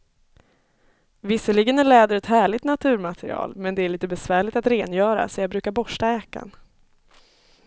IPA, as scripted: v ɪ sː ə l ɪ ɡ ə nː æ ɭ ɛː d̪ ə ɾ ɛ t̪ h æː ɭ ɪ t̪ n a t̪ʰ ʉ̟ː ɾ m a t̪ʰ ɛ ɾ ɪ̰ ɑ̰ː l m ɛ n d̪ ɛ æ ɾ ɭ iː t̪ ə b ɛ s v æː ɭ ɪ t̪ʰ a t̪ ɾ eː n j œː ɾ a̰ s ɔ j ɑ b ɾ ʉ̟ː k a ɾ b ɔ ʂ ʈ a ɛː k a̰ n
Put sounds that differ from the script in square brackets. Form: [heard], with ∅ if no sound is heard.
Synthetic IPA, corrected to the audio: v ɪ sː ə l ɪ ɡ ə [n] æ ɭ ɛː d̪ ə ɾ ɛ t̪ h æː ɭ ɪ t̪ n a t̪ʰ ʉ̟ː ɾ m a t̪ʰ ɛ ɾ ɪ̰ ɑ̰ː l m ɛ n d̪ ɛ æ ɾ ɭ iː t̪ ə b ɛ s v æː ɭ ɪ [t̪] a t̪ ɾ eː n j œː ɾ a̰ s ɔ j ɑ b ɾ ʉ̟ː k a ɾ b ɔ ʂ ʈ a ɛː k a̰ n